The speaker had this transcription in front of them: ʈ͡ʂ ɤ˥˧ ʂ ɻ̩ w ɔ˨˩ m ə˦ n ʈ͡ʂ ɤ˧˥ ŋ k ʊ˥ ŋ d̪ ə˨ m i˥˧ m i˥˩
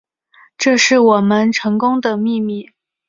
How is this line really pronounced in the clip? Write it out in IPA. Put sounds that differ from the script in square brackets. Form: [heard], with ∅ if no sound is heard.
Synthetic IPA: ʈ͡ʂ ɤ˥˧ ʂ ɻ̩ w ɔ˨˩ m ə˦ n [ʈ͡ʂʰ] ɤ˧˥ ŋ k ʊ˥ ŋ d̪ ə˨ m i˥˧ m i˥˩